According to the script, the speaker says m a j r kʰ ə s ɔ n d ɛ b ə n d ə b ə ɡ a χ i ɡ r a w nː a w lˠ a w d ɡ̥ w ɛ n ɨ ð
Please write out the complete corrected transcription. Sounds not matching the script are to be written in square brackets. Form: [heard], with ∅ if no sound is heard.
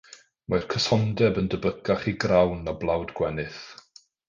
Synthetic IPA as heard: m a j r kʰ ə s ɔ n d ɛ b ə n d ə b ə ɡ a χ i ɡ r a w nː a [b] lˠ a w d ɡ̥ w ɛ n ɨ [θ]

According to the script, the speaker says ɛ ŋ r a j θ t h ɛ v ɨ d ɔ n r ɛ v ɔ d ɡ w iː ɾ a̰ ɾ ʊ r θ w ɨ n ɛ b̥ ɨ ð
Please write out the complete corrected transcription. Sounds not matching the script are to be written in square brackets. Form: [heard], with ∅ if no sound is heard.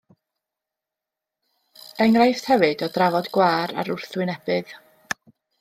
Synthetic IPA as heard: ɛ ŋ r a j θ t h ɛ v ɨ d ɔ [d] r [a] v ɔ d ɡ w [aː] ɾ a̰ ɾ ʊ r θ w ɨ n ɛ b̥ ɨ ð

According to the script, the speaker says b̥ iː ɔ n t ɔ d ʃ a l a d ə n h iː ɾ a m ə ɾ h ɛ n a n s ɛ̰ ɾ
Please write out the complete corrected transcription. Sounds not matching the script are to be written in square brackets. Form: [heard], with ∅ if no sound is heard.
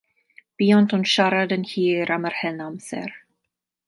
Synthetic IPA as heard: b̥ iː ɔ n t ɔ [n] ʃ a [ɾ] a d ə n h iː ɾ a m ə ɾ h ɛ n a [m] s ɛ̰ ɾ

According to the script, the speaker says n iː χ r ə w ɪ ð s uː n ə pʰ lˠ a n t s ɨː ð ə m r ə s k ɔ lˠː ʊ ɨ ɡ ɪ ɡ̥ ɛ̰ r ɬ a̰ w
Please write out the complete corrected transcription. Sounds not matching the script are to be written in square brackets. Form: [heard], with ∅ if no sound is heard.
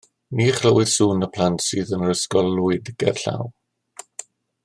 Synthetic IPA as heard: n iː χ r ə w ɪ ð s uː n ə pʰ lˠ a n t s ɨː ð ə [n] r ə s k ɔ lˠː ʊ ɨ [d] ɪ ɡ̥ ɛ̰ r ɬ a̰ w

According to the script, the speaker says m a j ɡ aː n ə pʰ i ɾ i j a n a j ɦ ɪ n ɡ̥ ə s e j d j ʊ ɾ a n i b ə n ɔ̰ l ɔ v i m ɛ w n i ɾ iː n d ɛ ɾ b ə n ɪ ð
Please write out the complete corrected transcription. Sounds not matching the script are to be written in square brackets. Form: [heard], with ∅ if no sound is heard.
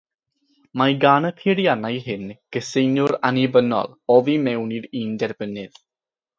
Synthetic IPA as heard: m a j ɡ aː n ə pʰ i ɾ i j a n a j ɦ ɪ n ɡ̥ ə s e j [n] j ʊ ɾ a n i b ə n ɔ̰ l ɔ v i m ɛ w n i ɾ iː n d ɛ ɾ b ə n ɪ ð

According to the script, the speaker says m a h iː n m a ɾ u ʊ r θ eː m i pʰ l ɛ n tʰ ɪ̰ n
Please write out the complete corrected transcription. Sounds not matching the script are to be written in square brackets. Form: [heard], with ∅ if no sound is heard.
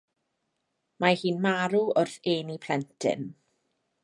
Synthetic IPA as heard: m a h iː n m a ɾ u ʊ r θ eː [n] i pʰ l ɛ n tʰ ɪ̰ n

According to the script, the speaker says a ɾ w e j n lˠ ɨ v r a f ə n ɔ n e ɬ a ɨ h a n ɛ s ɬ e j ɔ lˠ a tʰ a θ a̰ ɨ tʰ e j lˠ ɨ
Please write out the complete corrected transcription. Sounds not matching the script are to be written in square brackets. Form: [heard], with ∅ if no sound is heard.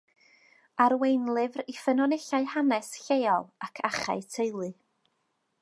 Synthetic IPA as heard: a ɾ w e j n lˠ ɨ v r [i] f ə n ɔ n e ɬ a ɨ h a n ɛ s ɬ e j ɔ lˠ a [kʰ] a [χ] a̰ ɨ tʰ e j lˠ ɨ

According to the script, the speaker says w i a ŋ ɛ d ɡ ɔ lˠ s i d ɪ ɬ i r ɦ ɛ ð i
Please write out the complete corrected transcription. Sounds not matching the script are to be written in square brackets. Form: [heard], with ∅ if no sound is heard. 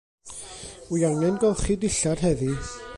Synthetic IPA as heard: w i a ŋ ɛ [n] ɡ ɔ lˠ [χ] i d ɪ ɬ [a] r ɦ ɛ ð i

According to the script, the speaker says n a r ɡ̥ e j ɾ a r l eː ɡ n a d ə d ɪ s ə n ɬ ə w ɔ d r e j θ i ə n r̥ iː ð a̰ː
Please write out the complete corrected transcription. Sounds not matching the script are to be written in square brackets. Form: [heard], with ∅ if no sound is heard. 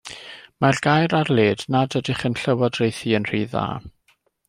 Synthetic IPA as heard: [m] a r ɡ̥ [a] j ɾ a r l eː [d] n a d ə d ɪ [χ] ə n ɬ ə w ɔ d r e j θ i ə n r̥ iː ð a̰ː

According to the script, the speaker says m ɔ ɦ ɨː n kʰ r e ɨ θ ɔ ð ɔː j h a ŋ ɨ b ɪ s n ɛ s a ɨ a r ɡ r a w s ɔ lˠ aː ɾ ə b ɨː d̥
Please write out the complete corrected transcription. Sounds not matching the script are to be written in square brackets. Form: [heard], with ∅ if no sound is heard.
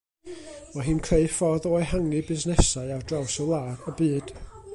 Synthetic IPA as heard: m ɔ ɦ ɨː n kʰ r e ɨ [f] ɔ ð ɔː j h a ŋ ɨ b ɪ [z] n ɛ s a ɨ a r [d] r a w s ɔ lˠ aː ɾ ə b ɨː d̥

